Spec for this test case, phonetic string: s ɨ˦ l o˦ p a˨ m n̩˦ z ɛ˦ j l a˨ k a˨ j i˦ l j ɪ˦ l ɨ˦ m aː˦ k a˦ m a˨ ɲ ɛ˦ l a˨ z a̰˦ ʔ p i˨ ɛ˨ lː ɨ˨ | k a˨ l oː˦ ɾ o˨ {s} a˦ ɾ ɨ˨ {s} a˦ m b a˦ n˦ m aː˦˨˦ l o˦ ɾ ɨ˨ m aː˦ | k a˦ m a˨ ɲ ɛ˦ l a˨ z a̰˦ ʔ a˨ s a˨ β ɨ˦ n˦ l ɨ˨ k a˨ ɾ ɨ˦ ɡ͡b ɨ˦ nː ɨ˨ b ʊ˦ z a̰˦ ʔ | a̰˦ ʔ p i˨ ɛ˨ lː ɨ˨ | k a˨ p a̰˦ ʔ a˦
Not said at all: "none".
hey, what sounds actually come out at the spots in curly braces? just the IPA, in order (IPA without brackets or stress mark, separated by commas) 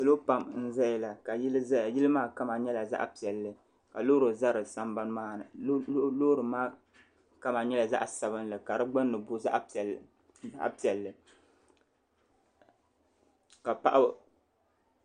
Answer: z, s